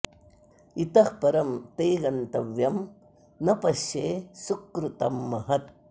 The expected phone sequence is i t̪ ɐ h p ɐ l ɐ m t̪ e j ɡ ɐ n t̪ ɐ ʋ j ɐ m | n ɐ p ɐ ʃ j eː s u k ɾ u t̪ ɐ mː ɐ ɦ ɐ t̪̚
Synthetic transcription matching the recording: i t̪ ɐ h p ɐ ɾ ɐ m t̪ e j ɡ ɐ n t̪ ɐ ʋ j ɐ m | n ɐ p ɐ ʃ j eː s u k ɾ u t̪ ɐ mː ɐ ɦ ɐ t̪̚